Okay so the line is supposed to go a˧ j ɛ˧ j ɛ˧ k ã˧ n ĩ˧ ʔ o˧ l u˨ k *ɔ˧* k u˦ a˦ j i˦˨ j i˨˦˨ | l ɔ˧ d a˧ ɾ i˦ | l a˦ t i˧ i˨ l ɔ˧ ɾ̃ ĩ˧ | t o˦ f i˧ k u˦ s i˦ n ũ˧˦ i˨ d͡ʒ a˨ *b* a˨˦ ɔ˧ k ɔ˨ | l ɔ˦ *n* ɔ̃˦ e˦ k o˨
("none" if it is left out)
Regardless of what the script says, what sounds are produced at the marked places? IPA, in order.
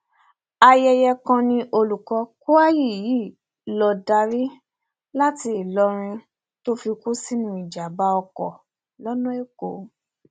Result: ɔ˧, b, n

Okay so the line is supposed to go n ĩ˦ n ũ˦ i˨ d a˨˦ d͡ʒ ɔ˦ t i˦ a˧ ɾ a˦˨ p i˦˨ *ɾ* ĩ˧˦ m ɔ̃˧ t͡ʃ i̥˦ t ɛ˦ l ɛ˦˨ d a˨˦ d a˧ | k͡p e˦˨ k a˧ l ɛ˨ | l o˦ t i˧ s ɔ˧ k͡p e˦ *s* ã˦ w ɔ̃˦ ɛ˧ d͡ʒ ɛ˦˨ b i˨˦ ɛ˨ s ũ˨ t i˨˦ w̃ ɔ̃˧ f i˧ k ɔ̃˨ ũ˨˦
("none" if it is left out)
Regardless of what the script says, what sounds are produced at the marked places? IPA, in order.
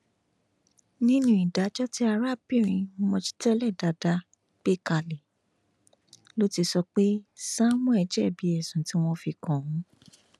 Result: ɾ, s

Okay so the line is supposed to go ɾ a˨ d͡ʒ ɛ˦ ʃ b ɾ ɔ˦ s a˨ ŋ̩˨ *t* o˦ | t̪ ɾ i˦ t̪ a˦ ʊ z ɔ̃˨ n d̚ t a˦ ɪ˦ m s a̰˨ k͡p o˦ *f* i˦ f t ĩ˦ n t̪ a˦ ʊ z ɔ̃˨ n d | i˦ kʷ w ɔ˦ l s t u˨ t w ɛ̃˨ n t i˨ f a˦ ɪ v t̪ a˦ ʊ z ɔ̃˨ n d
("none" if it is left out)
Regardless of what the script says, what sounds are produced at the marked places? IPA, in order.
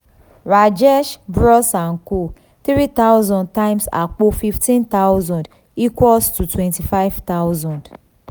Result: k, f

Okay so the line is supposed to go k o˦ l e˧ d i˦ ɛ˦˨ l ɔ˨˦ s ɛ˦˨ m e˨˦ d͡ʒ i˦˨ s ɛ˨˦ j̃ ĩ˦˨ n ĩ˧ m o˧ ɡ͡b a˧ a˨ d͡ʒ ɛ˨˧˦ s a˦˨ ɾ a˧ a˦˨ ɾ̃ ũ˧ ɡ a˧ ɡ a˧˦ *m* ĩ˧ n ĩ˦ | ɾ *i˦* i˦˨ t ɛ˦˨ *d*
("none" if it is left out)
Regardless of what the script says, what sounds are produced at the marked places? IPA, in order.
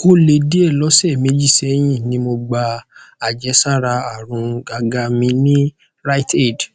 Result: m, a˦, d

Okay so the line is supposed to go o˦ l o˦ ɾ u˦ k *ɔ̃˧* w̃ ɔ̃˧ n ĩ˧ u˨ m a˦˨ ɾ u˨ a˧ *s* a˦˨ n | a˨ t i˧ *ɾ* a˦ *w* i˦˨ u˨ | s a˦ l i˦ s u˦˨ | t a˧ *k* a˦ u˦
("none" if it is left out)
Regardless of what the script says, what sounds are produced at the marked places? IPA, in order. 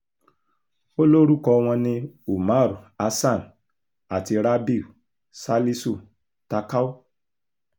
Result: ɔ˧, s, ɾ, b, k

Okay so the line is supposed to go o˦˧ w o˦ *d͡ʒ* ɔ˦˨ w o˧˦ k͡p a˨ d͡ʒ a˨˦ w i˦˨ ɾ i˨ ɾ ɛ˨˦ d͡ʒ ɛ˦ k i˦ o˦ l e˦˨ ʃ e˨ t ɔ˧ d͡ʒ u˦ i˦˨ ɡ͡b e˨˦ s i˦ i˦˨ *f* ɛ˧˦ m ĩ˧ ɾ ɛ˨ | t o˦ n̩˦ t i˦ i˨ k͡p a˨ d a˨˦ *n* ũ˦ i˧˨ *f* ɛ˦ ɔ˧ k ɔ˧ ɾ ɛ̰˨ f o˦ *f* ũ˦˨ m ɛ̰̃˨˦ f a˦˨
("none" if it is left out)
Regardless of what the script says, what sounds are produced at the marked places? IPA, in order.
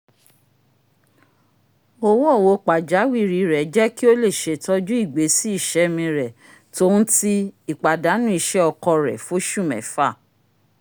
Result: none, ʃ, n, ʃ, ʃ

